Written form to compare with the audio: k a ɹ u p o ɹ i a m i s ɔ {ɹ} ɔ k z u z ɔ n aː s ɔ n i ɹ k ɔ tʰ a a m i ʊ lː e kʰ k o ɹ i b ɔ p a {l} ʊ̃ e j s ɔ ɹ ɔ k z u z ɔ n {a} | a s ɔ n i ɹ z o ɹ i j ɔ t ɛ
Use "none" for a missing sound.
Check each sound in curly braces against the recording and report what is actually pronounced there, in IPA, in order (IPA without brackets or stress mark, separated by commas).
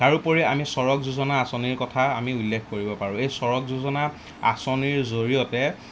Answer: ɹ, ɹ, a